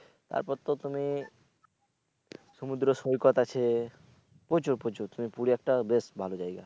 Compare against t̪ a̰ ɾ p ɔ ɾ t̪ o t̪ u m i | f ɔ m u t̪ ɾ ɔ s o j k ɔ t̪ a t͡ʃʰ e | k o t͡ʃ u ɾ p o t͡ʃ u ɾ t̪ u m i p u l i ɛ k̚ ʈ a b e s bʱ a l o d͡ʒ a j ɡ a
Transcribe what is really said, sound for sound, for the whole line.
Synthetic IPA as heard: t̪ a̰ ɾ p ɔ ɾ t̪ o t̪ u m i | s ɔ m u d̪ ɾ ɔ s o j k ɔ t̪ a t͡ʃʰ e | p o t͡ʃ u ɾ p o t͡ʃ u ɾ t̪ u m i p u ɽ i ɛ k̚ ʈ a b e s bʱ a l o d͡ʒ a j ɡ a

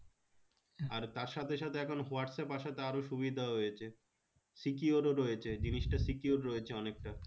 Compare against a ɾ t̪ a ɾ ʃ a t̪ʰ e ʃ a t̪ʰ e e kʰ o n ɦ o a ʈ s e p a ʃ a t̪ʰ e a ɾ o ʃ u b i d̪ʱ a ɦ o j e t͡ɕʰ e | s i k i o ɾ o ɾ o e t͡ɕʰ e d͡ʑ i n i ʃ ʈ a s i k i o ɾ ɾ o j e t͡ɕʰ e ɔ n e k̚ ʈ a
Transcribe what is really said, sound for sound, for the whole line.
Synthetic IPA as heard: a ɾ t̪ a ɾ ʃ a t̪ʰ e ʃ a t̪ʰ e ɛ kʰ o n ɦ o a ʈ s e p a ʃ a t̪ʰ e a ɾ o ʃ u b i d̪ʱ a ɦ o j e t͡ɕʰ e | s i k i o ɾ o ɾ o e t͡ɕʰ e d͡ʑ i n i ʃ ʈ a s i k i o ɾ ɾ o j e t͡ɕʰ e ɔ n e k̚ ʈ a

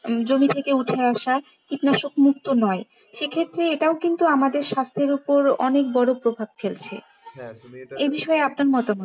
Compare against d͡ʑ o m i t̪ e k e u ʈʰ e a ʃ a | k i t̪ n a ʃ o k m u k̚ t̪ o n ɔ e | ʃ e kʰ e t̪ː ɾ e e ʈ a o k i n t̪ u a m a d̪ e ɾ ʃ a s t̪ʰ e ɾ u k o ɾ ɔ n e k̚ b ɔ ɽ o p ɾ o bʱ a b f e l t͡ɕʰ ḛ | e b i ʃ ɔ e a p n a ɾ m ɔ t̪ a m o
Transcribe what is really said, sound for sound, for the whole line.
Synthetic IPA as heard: d͡ʑ o m i t̪ʰ e k e u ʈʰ e a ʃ a | k i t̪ n a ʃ o k m u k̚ t̪ o n ɔ e | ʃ e kʰ e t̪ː ɾ e e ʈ a o k i n t̪ u a m a d̪ e ɾ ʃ a s t̪ʰ e ɾ u p o ɾ ɔ n e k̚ b ɔ ɽ o p ɾ o bʱ a b f e l t͡ɕʰ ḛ | e b i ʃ ɔ e a p n a ɾ m ɔ t̪ a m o

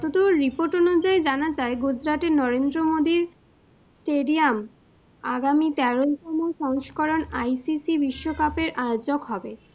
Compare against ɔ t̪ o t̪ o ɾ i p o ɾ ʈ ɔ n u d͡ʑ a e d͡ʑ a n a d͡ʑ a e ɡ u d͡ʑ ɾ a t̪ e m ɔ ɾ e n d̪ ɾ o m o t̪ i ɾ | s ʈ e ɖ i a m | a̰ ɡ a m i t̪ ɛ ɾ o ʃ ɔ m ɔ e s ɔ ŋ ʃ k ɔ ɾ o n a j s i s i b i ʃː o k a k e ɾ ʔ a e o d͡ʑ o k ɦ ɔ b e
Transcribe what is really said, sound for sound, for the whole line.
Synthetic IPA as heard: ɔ t̪ o t̪ o ɾ i p o ɾ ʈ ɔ n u d͡ʑ a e d͡ʑ a n a d͡ʑ a e ɡ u d͡ʑ ɾ a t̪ e n ɔ ɾ e n d̪ ɾ o m o d̪ i ɾ | s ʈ e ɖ i a m | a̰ ɡ a m i t̪ ɛ ɾ o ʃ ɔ m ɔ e ʃ ɔ ŋ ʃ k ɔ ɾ o n a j s i s i b i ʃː o k a p e ɾ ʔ a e o d͡ʑ o k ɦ ɔ b e

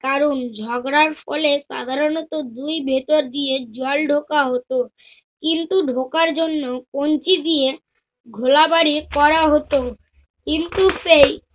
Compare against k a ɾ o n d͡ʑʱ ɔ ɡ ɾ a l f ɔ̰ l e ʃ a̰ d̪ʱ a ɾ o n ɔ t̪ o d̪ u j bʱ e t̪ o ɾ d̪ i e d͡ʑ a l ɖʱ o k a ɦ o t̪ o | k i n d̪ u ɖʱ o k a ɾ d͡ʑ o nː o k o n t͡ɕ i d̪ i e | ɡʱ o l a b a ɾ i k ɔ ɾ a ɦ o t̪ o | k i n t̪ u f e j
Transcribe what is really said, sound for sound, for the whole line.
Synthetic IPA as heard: k a ɾ o n d͡ʑʱ ɔ ɡ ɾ a ɾ f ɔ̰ l e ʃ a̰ d̪ʱ a ɾ o n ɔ t̪ o d̪ u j bʱ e t̪ o ɾ d̪ i e d͡ʑ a l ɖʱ o k a ɦ o t̪ o | k i n t̪ u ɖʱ o k a ɾ d͡ʑ o nː o k o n t͡ɕ i d̪ i e | ɡʱ o l a b a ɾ i k ɔ ɾ a ɦ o t̪ o | k i n t̪ u f e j

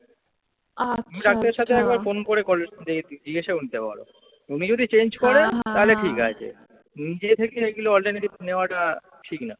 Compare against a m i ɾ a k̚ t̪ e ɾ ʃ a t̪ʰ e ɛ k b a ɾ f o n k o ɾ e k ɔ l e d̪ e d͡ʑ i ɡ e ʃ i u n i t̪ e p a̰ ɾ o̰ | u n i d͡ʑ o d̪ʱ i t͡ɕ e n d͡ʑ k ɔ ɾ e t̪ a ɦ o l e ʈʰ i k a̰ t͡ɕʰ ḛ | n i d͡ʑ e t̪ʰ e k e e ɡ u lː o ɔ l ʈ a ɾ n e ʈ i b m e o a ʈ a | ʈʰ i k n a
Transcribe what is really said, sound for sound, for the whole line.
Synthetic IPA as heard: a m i ɾ a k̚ t̪ e ɾ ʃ a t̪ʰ e ɛ k b a ɾ f o n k o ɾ e k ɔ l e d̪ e d͡ʑ i ɡ e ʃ e u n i t̪ e p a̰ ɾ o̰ | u n i d͡ʑ o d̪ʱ i t͡ɕ e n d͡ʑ k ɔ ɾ e t̪ a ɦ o l e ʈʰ i k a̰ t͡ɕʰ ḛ | n i d͡ʑ e t̪ʰ e k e e ɡ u l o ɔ l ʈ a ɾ n e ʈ i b n e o a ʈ a | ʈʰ i k n a

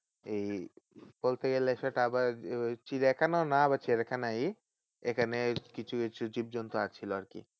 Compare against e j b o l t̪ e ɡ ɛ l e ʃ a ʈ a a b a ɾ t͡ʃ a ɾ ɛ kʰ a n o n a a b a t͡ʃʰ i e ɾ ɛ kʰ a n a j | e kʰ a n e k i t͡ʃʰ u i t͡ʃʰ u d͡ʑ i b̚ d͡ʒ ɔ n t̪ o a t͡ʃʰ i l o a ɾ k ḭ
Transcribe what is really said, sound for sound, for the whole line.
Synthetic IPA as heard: e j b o l t̪ e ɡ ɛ l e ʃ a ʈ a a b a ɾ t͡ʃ i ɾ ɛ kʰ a n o n a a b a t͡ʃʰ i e ɾ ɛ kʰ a n a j | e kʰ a n e k i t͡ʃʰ u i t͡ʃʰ u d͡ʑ i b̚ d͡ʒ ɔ n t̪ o a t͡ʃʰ i l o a ɾ k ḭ

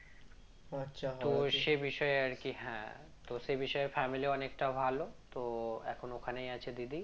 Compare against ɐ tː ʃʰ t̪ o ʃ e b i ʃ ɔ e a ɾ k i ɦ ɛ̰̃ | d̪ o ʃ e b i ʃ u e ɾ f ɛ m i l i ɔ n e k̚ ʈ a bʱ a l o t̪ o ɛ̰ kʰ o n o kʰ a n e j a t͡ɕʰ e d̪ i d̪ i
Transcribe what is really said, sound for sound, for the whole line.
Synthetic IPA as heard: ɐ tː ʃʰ t̪ o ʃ e b i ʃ ɔ e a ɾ k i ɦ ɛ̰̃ | t̪ o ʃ e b i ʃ ɔ e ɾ f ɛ m i l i ɔ n e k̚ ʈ a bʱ a l o t̪ o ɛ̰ kʰ o n o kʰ a n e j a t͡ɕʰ e d̪ i d̪ i

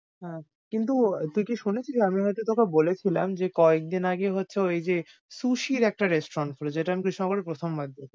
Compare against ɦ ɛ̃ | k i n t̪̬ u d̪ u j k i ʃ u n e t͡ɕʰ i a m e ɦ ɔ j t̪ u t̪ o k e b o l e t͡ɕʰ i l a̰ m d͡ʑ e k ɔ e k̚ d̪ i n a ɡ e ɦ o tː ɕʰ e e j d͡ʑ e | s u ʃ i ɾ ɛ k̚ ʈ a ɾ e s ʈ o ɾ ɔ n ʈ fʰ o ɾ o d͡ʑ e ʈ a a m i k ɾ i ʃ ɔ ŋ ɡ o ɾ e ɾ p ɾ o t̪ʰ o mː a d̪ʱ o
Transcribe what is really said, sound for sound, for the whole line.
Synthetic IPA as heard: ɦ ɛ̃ | k i n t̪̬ u t̪ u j k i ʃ u n e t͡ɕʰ i a m i ɦ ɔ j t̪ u t̪ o k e b o l e t͡ɕʰ i l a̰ m d͡ʑ e k ɔ e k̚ d̪ i n a ɡ e ɦ o tː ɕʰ e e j d͡ʑ e | s u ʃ i ɾ ɛ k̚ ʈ a ɾ e s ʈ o ɾ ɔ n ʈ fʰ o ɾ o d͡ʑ e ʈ a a m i k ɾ i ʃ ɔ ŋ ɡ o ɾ e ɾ p ɾ o t̪ʰ o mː a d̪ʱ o

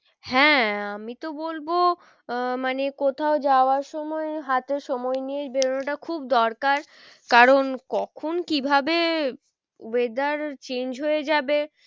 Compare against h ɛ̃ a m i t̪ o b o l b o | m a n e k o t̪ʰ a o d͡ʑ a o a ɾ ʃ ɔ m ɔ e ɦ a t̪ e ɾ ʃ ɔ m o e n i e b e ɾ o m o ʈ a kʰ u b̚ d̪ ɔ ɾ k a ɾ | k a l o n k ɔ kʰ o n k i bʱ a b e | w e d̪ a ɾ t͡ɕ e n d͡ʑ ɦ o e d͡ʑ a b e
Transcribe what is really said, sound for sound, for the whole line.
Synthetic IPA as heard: h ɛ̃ a m i t̪ o b o l b o | m a n e k o t̪ʰ a o d͡ʑ a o a ɾ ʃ ɔ m ɔ e ɦ a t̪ e ɾ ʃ ɔ m ɔ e n i e b e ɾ o n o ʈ a kʰ u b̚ d̪ ɔ ɾ k a ɾ | k a ɾ o n k ɔ kʰ o n k i bʱ a b e | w e d̪ a ɾ t͡ɕ e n d͡ʑ ɦ o e d͡ʑ a b e

